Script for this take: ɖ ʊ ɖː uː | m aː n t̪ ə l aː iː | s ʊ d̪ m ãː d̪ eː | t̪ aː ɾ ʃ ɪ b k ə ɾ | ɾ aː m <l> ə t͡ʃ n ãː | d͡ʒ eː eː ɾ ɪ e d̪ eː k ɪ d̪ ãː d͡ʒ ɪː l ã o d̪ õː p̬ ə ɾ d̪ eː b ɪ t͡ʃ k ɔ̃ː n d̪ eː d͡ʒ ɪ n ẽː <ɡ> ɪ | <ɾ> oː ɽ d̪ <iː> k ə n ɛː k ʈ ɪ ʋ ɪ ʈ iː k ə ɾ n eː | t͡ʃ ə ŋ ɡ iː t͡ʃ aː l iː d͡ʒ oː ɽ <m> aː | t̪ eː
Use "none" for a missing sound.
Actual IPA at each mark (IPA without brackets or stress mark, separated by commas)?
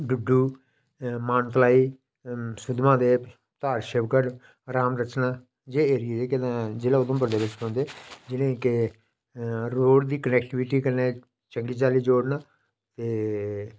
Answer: ɾ, k, ɾ, iː, n